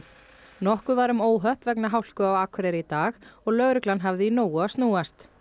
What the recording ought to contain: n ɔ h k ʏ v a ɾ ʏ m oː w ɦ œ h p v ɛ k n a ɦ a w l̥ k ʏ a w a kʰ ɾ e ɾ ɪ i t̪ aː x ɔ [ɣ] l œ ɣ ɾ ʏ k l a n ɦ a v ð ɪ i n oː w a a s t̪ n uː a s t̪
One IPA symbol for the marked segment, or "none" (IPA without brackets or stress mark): ɣ